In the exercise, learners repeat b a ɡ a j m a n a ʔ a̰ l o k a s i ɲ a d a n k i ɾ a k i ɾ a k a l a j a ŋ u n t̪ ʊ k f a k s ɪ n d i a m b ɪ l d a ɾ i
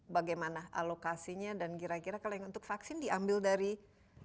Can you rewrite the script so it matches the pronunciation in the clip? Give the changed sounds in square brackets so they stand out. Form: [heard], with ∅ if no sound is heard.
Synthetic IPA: b a ɡ a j m a n a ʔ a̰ l o k a s i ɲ a d a n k i ɾ a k i ɾ a k a l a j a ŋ u n t̪ ʊ k f a k s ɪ n d i a m b ɪ l d a ɾ i